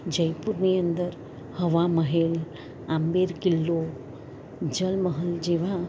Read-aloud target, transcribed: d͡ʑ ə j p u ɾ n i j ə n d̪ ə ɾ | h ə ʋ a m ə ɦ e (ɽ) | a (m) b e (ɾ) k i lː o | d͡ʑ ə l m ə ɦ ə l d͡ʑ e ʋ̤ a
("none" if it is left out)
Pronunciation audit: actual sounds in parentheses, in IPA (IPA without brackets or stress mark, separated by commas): l, m, ɾ